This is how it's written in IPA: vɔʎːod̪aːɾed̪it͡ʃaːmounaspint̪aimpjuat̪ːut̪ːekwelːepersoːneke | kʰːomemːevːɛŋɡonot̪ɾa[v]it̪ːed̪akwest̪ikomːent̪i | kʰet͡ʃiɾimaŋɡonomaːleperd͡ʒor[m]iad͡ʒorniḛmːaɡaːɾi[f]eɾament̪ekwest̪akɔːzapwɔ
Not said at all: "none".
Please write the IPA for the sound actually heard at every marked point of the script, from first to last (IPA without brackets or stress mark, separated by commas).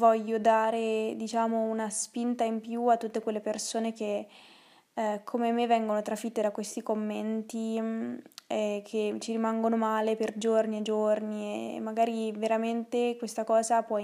f, n, v